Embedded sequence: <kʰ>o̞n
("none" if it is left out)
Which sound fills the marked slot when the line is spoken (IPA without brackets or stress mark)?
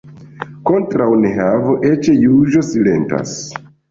k